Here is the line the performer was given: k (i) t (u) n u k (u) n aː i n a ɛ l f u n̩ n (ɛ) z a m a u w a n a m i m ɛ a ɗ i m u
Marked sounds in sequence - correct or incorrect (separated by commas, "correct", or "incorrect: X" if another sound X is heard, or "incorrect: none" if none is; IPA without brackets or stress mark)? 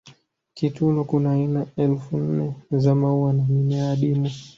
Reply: correct, correct, correct, correct